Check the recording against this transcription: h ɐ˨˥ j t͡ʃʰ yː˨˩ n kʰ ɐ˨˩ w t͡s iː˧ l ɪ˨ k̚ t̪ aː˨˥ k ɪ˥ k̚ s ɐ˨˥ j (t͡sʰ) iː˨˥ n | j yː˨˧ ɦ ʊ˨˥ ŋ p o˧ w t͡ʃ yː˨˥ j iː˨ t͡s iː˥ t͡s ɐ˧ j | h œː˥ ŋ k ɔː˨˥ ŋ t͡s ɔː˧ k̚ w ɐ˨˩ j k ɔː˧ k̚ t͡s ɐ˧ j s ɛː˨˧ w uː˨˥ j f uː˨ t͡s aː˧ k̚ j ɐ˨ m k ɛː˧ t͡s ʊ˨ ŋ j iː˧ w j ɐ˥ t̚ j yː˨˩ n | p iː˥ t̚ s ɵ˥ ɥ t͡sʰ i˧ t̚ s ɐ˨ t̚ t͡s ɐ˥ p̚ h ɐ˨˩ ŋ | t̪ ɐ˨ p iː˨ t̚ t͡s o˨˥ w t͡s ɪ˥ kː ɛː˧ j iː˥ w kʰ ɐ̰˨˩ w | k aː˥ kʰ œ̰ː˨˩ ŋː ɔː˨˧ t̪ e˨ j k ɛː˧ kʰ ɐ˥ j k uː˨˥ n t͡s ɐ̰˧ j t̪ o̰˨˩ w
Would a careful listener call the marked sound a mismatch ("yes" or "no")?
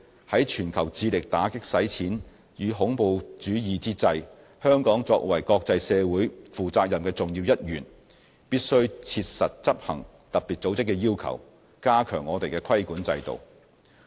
no